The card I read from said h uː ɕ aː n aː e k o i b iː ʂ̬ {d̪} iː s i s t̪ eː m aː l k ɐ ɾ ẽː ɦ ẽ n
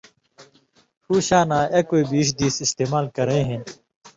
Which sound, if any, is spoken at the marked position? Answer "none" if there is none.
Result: d̪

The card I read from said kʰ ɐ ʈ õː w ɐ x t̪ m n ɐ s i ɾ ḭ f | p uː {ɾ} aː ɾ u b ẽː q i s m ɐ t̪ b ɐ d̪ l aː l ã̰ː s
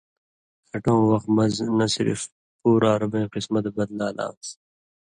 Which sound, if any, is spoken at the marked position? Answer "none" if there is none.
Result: ɾ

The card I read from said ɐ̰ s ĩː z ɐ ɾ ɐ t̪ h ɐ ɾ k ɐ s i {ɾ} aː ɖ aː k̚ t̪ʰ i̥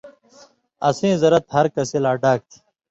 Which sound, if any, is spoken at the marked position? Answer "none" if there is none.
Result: l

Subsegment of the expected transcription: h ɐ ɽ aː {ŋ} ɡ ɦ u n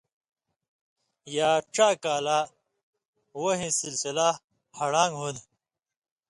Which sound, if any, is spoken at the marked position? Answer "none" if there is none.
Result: ŋ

